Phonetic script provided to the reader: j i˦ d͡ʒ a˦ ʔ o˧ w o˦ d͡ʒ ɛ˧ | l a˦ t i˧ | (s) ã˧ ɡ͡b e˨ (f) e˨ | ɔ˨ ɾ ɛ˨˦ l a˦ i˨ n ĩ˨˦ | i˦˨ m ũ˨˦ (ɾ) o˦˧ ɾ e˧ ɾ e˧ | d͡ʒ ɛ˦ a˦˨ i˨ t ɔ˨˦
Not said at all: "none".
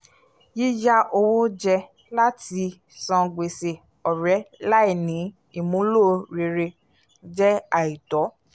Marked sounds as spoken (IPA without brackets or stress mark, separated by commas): s, s, l